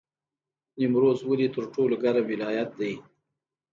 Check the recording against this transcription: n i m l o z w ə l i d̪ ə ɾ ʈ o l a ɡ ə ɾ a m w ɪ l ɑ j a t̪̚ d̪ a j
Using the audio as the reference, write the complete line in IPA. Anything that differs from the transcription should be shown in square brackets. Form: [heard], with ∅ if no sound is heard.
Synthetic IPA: n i m [ɾ] o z w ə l i [t̪] ə ɾ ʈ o l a ɡ [a] ɾ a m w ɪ l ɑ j a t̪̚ d̪ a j